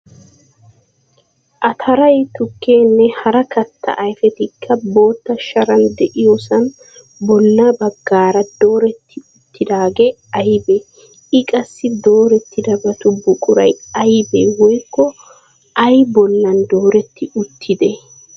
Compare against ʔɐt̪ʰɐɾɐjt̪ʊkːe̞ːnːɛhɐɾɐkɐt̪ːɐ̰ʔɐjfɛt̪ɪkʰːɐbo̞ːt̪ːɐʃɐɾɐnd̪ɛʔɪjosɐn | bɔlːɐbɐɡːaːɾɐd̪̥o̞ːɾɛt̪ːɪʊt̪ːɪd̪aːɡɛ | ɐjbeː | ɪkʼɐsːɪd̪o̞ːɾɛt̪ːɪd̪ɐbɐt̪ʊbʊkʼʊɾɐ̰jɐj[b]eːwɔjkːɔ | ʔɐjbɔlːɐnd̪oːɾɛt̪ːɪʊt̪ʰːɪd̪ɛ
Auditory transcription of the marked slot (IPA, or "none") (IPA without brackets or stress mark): b